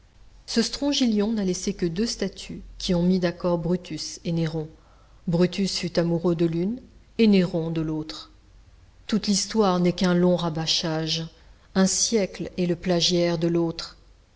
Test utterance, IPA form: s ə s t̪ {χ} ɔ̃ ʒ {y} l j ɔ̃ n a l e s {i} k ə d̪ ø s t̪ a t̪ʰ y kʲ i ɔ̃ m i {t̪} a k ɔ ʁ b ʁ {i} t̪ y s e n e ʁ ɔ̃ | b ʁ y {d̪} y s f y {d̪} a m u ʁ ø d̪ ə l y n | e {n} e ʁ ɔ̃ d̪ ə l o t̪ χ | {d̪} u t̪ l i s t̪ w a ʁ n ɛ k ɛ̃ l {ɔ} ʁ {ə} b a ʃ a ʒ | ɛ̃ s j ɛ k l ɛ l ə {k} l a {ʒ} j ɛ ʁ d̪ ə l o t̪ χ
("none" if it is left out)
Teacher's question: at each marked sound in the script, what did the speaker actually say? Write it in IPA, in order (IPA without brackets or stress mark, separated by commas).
χ, i, e, d̪, y, t̪, t̪, n, t̪, ɔ̃, a, p, ʒ